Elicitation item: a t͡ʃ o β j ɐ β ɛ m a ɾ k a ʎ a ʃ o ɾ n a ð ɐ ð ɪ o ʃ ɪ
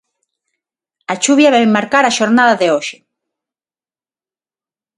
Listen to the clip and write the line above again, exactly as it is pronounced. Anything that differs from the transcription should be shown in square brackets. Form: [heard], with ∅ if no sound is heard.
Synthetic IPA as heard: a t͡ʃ [u] β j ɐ β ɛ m a ɾ k a [ɾ] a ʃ o ɾ n a ð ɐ ð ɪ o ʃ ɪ